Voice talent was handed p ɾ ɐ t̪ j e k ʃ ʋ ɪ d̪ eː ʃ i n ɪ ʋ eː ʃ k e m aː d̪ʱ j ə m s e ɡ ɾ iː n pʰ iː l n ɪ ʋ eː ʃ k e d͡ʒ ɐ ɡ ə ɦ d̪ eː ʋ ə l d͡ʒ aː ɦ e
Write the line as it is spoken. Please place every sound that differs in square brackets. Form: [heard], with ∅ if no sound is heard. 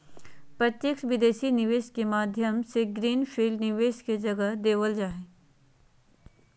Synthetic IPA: p ɾ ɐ t̪ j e k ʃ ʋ ɪ d̪ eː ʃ i n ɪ ʋ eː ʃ k e m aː d̪ʱ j ə m s e ɡ ɾ iː n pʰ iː l n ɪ ʋ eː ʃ k e d͡ʒ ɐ ɡ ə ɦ d̪ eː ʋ ə l d͡ʒ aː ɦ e